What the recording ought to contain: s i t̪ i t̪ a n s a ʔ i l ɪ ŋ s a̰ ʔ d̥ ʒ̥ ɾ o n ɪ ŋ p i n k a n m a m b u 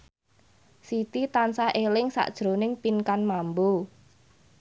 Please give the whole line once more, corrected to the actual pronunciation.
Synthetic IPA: s i t̪ i t̪ a n s a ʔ e l ɪ ŋ s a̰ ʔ d̥ ʒ̥ ɾ o n ɪ ŋ p i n k a n m a m b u